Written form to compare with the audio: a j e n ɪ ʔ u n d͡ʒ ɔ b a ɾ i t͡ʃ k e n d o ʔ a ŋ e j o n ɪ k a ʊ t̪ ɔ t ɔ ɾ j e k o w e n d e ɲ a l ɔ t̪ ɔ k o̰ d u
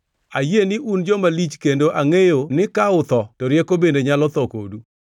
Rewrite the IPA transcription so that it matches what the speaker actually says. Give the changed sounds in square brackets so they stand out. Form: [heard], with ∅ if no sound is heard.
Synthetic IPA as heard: a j e n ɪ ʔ u n d͡ʒ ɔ [m] a [l] i t͡ʃ k e n d o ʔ a ŋ e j o n ɪ k a ʊ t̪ ɔ t ɔ ɾ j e k o [b] e n d e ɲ a l ɔ t̪ ɔ k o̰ d u